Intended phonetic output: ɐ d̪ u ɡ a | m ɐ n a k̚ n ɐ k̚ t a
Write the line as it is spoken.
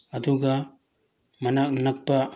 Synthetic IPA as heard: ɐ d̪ u ɡ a | m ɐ n a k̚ n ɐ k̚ p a

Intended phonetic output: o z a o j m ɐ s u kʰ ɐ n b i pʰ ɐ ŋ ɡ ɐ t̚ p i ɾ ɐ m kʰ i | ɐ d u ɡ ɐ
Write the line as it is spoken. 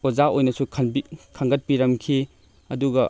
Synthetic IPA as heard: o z a o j n ɐ s u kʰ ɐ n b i kʰ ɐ ŋ ɡ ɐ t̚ p i ɾ ɐ m kʰ i | ɐ d u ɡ ɐ

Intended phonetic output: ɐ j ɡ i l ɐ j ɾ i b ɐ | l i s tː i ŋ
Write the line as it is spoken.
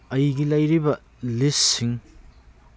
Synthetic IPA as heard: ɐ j ɡ i l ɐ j ɾ i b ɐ | l i s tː i ŋ

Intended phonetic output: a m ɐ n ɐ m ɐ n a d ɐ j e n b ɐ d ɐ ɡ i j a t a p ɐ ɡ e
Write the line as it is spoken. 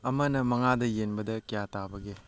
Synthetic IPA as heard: ɐ m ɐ n ɐ m ɐ ŋ a d ɐ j e n b ɐ d ɐ k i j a t a b ɐ ɡ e

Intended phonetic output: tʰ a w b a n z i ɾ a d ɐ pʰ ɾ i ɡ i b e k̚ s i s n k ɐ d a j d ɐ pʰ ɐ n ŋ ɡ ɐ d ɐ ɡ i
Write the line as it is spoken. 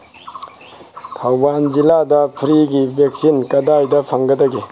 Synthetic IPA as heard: tʰ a w b a n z i l a d ɐ pʰ ɾ i ɡ i b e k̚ s i n k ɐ d a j d ɐ pʰ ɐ ŋ ɡ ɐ d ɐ ɡ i

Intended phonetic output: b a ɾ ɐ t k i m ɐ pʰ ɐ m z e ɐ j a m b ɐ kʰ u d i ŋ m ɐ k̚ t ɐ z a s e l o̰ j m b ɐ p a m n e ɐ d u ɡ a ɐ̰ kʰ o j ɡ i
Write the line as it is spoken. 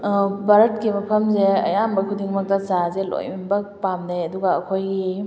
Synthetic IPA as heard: b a ɾ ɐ t k i m ɐ pʰ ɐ m z e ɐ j a m b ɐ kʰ u d i ŋ m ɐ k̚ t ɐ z a z e l o̰ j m b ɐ p a m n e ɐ d u ɡ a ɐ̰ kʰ o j ɡ i

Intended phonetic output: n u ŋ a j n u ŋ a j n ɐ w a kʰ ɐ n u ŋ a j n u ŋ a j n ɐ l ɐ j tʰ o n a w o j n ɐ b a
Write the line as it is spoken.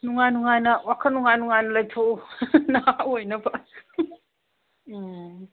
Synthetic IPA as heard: n u ŋ a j n u ŋ a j n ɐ w a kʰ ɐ n u ŋ a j n u ŋ a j n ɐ l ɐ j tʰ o n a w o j n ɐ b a

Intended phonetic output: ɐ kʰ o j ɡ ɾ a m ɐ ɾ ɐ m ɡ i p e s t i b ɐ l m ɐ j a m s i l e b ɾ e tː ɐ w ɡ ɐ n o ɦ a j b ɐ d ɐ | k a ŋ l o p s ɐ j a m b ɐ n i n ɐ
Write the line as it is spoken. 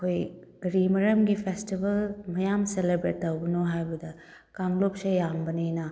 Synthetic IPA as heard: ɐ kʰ o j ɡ ɾ i m ɐ ɾ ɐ m ɡ i pʰ e s t i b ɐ l m ɐ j a m s e l e b ɾ e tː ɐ w b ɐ n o ɦ a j b ɐ d ɐ | k a ŋ l o p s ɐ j a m b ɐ n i n ɐ

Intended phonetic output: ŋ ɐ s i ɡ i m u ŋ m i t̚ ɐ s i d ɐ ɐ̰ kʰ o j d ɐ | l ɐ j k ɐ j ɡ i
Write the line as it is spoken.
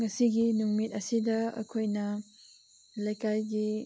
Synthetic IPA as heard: ŋ ɐ s i ɡ i n u ŋ m i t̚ ɐ s i d ɐ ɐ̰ kʰ o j n ɐ | l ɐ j k a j ɡ i

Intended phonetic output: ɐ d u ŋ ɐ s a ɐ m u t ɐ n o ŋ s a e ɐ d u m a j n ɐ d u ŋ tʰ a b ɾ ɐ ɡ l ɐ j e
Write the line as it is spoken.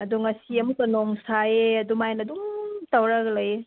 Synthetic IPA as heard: ɐ d u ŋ ɐ s i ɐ m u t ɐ n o ŋ s a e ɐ d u m a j n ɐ d u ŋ t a w ɾ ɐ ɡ l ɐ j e

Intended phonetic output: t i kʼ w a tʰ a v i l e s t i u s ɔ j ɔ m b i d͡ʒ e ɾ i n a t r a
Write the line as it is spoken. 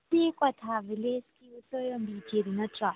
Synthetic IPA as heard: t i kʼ w a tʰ a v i l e s k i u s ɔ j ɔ m b i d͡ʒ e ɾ i n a t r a

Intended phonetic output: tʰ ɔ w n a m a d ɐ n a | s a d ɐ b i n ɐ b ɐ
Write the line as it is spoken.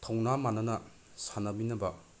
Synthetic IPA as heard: tʰ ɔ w n a m a n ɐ n ɐ | s a n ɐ b i n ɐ b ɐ

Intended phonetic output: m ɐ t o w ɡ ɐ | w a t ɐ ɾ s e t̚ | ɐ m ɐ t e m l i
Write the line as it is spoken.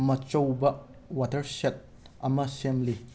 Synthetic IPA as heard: m ɐ t͡ʃ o w b ɐ | w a t ɐ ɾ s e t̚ | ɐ m ɐ s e m l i

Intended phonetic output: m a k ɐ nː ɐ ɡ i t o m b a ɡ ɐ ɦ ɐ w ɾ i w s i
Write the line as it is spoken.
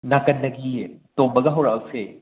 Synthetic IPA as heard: n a k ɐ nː ɐ ɡ i t o m b ɐ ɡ ɐ ɦ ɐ w ɾ a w s e

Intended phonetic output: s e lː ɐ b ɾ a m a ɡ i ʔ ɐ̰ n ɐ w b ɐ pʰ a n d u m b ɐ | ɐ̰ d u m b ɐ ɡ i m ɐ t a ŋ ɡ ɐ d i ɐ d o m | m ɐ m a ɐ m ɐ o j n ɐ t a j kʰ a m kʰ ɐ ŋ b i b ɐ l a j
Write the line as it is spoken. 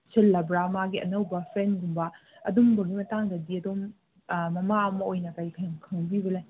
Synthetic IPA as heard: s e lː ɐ b ɾ a m a ɡ i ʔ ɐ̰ n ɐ w b ɐ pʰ e n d u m b ɐ | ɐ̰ d u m b ɐ ɡ i m ɐ t a ŋ d ɐ d i ɐ d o m | m ɐ m a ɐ m ɐ o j n ɐ k a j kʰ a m kʰ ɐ ŋ b i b ɐ l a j

